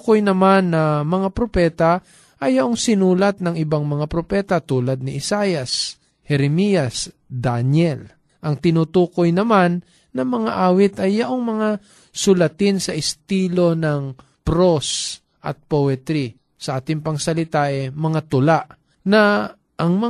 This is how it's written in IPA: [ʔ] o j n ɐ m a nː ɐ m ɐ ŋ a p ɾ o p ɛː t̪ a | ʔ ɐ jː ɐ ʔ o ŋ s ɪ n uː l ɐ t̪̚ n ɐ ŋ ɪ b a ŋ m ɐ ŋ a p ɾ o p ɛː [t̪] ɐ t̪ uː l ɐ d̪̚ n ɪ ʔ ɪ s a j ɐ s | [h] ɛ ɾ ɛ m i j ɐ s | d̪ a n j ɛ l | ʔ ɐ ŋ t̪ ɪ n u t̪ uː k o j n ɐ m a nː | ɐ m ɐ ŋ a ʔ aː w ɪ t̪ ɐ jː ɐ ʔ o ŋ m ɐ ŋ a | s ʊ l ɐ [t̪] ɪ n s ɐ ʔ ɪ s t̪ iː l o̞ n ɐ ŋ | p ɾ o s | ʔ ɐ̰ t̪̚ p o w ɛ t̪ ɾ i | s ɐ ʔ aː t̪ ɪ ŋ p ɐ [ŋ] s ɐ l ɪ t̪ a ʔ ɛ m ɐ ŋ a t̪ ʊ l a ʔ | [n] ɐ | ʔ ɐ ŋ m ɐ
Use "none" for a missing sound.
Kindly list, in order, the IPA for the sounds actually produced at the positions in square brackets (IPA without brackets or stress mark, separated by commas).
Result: k, t̪, h, t̪, ŋ, n